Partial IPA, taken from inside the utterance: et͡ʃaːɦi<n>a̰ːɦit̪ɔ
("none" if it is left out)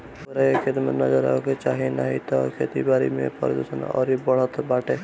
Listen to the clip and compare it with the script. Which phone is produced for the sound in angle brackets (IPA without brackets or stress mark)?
n